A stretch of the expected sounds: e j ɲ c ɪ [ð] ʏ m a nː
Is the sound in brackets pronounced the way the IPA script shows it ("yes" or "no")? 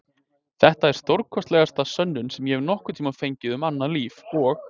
yes